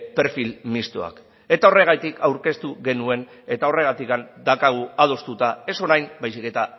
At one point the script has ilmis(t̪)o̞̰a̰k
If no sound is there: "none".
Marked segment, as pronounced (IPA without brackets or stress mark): t̪